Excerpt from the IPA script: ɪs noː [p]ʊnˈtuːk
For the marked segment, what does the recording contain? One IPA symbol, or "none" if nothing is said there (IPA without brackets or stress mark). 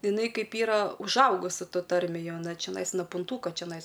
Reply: p